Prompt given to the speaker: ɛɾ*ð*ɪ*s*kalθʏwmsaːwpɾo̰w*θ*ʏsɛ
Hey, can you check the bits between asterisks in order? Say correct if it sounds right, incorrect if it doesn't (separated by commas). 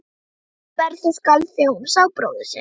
incorrect, correct, incorrect